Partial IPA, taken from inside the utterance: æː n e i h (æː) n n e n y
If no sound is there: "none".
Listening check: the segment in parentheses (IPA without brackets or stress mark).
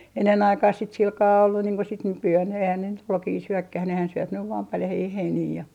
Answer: æ